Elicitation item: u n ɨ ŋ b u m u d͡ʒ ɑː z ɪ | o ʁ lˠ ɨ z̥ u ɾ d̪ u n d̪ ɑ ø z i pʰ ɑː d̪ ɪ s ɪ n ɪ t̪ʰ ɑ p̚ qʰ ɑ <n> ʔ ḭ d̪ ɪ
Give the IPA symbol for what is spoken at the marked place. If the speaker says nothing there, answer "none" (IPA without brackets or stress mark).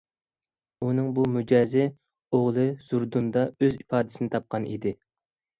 n